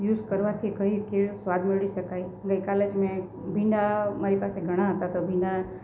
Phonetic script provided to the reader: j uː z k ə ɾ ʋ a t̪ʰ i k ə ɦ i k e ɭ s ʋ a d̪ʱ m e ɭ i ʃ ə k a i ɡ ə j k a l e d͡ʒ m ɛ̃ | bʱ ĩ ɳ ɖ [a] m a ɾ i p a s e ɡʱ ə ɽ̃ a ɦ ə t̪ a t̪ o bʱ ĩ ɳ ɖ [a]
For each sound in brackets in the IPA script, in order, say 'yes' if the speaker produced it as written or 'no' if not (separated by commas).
yes, yes